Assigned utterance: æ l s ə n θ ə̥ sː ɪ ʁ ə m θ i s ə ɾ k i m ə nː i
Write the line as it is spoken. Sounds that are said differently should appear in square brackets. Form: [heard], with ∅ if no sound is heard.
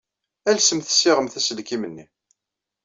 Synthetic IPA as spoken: æ l s ə [m] θ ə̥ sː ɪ ʁ ə m θ [æ] s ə [l] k i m ə nː i